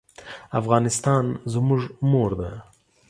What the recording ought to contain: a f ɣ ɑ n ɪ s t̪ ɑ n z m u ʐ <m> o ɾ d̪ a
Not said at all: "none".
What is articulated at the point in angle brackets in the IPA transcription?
m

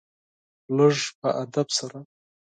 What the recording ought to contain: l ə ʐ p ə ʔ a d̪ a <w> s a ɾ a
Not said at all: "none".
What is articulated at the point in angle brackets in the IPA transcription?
b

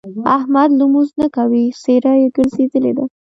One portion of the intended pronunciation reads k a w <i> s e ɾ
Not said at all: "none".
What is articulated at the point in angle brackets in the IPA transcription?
i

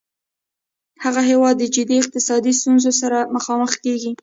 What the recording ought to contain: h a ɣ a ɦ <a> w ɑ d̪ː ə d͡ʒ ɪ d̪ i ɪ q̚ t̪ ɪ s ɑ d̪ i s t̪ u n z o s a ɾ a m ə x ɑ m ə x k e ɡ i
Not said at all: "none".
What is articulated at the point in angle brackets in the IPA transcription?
e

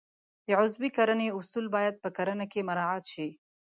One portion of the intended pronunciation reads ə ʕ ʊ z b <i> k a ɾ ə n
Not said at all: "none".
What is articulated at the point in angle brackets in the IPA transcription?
i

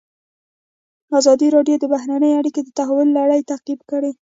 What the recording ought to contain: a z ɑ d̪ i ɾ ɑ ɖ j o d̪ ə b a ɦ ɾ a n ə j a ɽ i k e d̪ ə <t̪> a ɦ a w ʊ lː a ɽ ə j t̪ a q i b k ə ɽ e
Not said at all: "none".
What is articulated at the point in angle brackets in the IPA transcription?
t̪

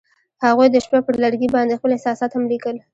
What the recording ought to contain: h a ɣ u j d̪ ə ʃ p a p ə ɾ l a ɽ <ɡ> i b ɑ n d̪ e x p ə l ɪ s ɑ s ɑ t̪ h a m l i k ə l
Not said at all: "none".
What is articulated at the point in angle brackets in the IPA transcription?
ɡ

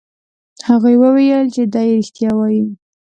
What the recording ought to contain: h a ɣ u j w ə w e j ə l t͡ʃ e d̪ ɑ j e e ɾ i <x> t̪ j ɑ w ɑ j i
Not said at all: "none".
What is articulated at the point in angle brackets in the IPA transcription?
x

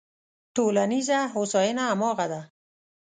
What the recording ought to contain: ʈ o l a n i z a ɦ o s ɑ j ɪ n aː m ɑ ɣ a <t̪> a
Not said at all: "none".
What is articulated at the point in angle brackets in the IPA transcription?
d̪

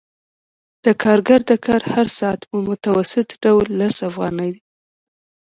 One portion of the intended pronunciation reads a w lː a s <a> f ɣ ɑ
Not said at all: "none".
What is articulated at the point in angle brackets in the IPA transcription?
a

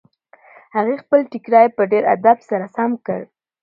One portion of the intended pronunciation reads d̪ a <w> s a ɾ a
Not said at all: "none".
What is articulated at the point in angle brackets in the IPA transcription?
b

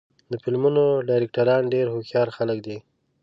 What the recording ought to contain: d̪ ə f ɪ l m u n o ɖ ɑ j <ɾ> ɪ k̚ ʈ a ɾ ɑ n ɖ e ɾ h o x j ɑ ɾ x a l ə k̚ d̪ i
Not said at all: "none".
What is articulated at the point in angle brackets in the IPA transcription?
ɾ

